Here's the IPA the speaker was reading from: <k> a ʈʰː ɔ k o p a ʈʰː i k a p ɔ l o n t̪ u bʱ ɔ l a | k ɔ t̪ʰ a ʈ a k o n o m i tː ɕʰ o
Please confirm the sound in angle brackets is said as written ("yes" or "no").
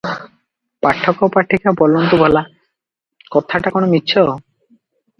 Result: no